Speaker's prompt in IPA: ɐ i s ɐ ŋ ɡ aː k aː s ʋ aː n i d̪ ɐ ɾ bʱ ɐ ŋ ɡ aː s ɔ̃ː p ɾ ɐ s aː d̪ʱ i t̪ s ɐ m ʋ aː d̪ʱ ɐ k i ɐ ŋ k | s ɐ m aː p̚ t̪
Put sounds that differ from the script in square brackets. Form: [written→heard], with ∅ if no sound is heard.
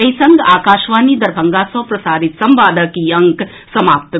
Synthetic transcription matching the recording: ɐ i s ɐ ŋ ɡ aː k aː [s→ʃ] ʋ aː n i d̪ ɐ ɾ bʱ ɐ ŋ ɡ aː s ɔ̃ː p ɾ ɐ s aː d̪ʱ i t̪ s ɐ m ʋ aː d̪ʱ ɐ k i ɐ ŋ k | s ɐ m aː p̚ t̪